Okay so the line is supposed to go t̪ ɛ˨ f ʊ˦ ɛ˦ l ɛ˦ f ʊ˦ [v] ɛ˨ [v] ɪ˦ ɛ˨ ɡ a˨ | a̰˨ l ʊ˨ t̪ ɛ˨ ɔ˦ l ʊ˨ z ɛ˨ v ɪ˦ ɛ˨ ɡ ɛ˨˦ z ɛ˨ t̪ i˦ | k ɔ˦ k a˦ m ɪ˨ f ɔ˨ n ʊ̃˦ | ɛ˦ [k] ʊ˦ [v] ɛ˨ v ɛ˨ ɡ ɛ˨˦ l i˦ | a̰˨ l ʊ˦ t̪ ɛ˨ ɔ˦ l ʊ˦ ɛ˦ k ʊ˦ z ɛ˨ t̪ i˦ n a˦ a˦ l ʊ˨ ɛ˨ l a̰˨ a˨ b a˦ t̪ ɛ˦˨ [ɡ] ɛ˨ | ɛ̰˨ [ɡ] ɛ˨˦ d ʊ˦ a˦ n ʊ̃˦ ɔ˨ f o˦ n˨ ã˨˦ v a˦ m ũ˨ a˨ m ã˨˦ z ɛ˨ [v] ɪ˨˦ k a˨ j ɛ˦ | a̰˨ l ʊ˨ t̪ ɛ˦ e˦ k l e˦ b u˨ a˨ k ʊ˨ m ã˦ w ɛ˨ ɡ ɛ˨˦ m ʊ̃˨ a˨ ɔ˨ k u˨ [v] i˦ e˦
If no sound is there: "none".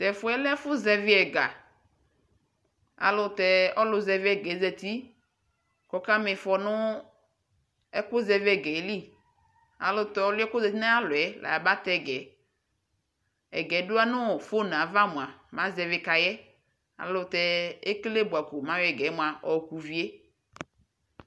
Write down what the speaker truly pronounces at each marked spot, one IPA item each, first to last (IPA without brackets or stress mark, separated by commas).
z, v, k, z, ɡ, ɡ, v, v